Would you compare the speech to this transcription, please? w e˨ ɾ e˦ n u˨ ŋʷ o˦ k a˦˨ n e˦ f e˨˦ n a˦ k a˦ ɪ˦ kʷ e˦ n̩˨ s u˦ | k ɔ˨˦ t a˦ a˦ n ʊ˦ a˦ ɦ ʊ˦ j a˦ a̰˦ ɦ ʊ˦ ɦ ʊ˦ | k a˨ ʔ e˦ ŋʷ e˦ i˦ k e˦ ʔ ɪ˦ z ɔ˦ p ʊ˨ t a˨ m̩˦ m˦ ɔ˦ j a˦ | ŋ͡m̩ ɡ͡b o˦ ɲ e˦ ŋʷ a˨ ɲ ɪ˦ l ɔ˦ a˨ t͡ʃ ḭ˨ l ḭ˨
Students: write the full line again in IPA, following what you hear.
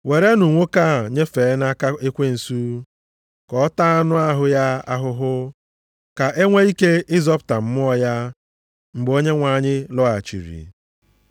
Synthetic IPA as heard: w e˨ ɾ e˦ n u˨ ŋʷ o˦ k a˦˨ ɲ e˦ f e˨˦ n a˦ k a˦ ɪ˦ kʷ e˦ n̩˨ s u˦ | k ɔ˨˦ t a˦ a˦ n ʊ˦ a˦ ɦ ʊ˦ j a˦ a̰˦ ɦ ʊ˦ ɦ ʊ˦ | k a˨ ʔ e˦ ŋʷ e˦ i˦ k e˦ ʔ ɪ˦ z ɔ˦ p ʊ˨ t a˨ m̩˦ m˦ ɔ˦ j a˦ | ŋ͡m̩ ɡ͡b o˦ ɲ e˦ ŋʷ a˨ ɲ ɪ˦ l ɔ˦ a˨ t͡ʃ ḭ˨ ɾ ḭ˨